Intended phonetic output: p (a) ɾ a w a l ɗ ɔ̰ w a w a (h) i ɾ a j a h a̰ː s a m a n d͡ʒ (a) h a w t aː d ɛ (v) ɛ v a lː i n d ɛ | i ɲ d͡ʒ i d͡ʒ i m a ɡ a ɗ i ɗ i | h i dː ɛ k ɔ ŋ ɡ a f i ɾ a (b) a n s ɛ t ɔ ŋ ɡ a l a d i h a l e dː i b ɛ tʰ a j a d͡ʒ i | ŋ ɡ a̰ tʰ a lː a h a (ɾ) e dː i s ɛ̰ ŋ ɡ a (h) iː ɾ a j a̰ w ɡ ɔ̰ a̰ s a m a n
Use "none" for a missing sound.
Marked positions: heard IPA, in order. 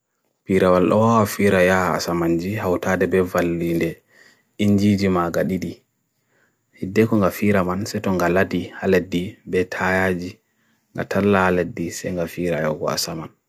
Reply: i, f, i, b, m, l, f

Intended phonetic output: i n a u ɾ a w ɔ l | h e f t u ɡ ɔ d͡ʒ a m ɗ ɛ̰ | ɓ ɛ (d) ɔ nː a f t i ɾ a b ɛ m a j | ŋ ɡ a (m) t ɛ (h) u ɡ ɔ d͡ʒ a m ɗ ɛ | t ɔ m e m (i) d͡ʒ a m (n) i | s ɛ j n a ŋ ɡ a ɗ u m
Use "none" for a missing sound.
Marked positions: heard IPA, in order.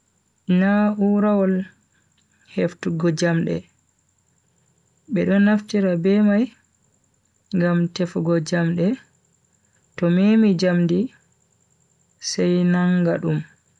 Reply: ɗ, m, f, i, d

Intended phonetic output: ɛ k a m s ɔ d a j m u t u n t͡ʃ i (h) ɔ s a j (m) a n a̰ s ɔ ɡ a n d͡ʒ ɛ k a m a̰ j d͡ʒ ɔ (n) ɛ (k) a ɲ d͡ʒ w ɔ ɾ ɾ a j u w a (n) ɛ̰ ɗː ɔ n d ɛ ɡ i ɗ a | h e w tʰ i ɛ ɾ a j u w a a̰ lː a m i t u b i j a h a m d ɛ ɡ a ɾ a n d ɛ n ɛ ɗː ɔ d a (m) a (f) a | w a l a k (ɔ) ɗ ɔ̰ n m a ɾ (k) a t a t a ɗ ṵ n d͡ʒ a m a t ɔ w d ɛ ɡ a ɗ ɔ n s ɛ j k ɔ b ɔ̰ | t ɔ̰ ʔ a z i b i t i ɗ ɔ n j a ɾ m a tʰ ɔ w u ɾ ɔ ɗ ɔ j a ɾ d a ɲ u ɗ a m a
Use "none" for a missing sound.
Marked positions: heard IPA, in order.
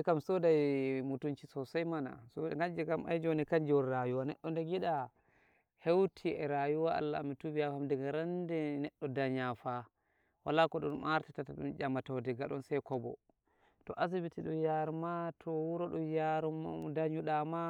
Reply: s, m, n, k, n, ɲ, f, ɔ, t

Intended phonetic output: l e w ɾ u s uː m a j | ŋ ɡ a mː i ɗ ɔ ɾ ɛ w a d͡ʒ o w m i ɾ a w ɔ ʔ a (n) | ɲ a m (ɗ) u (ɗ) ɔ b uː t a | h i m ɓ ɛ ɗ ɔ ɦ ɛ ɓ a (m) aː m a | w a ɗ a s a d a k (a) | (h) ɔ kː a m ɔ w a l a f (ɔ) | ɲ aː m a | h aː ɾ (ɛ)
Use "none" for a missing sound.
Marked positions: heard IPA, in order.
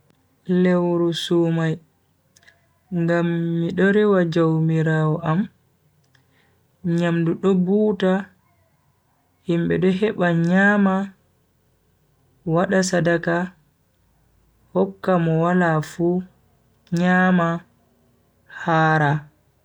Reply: m, d, ɗ, ɲ, a, h, u, a

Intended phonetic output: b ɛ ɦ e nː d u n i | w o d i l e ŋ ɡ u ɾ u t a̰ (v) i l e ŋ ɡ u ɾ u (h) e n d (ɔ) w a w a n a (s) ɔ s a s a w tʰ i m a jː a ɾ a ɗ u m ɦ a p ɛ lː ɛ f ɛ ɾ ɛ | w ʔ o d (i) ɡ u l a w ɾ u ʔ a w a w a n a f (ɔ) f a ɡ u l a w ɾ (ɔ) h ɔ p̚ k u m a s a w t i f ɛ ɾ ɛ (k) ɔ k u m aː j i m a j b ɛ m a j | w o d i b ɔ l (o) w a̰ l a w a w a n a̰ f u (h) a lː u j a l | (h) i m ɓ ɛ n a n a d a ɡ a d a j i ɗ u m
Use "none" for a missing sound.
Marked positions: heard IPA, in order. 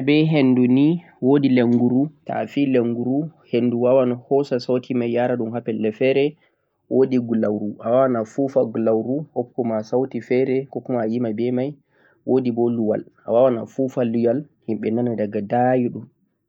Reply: f, h, u, h, i, u, u, k, u, f, h

